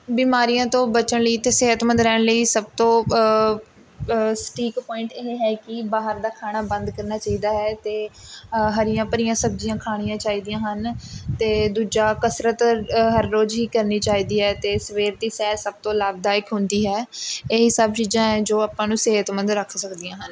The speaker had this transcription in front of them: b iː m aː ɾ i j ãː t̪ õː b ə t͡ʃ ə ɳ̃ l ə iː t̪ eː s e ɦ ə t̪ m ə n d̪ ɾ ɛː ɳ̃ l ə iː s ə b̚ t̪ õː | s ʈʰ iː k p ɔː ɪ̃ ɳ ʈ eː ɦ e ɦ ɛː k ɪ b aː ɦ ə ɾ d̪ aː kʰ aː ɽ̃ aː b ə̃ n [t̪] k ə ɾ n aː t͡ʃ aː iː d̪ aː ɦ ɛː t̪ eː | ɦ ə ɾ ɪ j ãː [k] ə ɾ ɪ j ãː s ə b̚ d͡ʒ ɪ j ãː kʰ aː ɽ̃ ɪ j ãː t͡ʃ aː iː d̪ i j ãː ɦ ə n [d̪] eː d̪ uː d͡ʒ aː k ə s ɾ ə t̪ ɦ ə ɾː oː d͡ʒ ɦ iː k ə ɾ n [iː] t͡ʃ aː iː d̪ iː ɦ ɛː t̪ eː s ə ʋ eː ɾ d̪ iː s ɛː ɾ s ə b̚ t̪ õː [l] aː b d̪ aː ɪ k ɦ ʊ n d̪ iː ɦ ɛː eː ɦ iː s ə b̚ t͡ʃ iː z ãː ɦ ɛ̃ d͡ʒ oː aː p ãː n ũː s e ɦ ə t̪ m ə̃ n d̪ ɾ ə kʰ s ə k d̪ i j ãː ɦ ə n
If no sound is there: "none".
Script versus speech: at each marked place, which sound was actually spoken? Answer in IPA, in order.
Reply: d̪, p, t̪, iː, l

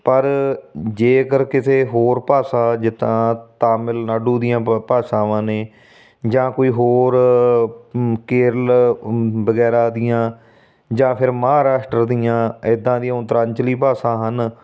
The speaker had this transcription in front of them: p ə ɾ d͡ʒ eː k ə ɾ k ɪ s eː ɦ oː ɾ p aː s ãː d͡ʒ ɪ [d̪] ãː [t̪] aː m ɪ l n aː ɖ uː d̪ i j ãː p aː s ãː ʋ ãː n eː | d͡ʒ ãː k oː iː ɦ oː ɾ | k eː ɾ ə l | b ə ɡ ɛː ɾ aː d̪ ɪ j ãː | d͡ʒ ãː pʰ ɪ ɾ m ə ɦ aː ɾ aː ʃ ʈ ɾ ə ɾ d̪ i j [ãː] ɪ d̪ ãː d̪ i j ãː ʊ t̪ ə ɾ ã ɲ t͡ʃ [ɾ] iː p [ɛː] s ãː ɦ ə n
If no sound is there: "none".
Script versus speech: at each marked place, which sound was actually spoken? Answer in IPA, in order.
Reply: t̪, t̪, ãː, l, aː

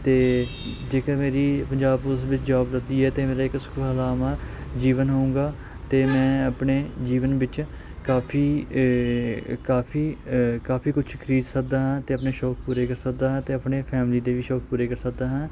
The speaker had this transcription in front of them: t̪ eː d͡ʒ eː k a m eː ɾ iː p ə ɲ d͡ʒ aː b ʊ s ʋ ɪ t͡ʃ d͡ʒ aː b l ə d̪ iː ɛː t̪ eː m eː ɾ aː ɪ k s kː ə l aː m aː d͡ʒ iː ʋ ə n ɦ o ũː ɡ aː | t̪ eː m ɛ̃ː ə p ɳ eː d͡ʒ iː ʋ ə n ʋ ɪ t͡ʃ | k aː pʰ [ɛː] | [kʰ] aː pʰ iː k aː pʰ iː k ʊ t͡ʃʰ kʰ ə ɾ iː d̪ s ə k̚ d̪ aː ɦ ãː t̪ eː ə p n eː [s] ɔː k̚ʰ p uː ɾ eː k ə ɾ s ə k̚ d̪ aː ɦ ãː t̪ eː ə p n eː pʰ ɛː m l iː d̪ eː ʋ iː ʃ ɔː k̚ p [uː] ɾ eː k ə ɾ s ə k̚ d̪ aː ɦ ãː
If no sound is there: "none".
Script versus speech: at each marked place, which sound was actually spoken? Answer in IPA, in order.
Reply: iː, k, ʃ, uː

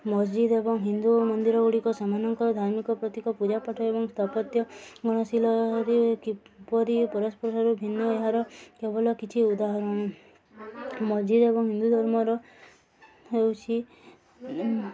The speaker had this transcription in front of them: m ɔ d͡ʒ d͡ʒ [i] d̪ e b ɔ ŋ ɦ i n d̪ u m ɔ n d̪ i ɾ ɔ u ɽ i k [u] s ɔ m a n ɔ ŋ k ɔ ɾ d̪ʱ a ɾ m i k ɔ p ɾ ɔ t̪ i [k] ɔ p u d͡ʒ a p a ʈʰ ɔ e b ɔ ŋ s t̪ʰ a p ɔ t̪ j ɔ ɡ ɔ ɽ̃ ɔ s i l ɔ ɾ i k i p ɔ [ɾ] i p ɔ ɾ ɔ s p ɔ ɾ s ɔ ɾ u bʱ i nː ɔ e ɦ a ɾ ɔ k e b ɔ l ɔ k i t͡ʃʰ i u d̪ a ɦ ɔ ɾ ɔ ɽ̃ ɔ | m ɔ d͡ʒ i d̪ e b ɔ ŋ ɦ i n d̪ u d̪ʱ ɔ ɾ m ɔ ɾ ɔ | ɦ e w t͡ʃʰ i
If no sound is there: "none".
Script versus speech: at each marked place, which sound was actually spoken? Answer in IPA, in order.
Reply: i, ɔ, k, ɾ

